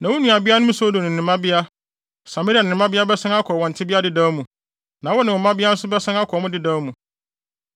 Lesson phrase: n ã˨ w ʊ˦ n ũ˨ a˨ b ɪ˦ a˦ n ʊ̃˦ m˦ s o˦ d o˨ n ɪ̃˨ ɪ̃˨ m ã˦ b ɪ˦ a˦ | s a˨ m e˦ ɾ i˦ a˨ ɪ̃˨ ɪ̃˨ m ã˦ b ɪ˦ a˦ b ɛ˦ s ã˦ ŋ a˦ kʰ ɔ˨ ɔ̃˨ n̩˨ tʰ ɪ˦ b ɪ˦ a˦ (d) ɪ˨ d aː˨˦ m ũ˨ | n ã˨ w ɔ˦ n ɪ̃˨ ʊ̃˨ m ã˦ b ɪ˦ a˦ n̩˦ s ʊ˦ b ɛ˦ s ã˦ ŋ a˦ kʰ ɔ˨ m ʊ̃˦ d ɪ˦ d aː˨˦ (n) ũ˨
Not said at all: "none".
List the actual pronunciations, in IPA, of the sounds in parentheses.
d, m

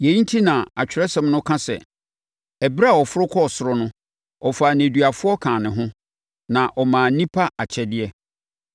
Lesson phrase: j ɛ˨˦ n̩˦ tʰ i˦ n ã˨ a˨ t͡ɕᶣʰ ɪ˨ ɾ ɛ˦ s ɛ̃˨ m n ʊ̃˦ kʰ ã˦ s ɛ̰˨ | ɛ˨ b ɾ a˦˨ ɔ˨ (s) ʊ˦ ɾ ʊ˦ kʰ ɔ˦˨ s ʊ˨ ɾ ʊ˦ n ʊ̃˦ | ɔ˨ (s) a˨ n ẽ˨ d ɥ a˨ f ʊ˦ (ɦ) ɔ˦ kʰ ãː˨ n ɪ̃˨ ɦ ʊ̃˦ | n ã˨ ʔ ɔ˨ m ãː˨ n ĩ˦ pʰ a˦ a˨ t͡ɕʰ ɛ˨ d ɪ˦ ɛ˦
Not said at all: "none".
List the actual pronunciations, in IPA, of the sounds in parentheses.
f, f, none

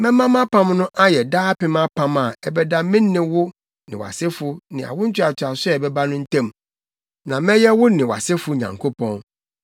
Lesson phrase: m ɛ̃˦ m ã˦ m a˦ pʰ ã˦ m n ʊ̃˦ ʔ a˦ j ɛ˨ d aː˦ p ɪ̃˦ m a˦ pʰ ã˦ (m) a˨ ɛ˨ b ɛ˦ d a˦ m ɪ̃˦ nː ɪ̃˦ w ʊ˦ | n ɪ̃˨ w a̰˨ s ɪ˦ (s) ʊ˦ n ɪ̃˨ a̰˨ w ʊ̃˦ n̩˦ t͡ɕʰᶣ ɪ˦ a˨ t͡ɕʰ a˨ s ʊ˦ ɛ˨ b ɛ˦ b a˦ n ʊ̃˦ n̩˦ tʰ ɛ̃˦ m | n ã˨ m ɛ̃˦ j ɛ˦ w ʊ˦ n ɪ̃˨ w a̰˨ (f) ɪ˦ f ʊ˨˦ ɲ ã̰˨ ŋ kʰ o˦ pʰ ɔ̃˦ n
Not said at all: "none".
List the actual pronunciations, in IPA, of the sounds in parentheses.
m, f, s

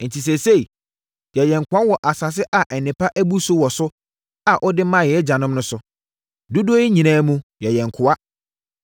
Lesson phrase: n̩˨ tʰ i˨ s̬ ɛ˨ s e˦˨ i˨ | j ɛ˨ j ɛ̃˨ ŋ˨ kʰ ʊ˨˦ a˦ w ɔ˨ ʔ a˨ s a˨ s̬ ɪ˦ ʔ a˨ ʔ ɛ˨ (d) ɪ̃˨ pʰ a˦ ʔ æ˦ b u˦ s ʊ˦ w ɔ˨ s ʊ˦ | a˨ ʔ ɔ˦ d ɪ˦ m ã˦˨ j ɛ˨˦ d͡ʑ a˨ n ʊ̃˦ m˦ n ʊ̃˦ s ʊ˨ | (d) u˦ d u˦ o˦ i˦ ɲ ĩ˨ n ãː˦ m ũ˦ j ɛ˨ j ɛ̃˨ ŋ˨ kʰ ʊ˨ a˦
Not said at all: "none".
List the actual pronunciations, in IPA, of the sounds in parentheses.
n, d

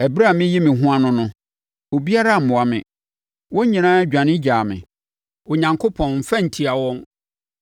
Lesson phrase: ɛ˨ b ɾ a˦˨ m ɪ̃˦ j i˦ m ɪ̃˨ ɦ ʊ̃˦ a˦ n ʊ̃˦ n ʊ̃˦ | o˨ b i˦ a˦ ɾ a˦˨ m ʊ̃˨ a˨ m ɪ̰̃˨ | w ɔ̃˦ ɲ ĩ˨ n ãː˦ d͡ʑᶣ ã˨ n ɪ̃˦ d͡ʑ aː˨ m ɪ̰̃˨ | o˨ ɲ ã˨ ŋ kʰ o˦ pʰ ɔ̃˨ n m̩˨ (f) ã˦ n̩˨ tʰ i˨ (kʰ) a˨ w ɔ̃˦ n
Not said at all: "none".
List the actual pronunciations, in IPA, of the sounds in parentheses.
f, none

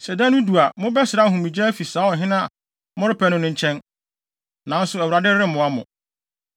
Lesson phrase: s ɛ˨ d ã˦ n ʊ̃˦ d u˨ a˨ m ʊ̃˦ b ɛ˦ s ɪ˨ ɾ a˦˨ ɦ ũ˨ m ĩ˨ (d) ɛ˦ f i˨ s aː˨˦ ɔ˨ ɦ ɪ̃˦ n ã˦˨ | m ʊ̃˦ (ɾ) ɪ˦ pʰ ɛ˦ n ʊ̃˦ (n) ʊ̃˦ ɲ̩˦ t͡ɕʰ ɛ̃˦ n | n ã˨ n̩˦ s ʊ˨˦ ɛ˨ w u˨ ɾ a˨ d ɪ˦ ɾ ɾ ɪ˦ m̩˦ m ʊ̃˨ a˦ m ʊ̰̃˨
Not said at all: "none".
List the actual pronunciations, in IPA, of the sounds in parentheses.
d͡ʑ, ɾ, n

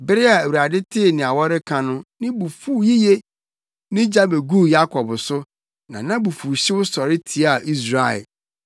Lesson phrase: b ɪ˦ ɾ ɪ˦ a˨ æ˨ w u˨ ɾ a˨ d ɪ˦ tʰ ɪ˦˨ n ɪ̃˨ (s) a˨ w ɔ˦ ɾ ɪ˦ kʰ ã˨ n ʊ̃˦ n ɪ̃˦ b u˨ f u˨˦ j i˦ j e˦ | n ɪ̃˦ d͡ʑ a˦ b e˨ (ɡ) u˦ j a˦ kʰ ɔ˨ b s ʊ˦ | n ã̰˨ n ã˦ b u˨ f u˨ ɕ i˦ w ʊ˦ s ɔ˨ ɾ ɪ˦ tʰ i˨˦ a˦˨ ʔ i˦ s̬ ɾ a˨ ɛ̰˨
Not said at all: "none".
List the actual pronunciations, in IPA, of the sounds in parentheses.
none, ɡ

